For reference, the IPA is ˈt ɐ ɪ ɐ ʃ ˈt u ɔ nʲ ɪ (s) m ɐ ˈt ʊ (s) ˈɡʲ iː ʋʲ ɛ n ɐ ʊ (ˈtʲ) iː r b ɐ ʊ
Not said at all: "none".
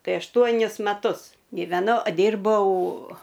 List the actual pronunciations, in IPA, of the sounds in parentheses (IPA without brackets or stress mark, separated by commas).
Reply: s, s, dʲ